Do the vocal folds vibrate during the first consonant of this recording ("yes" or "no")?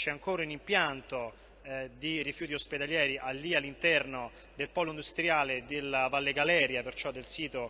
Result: no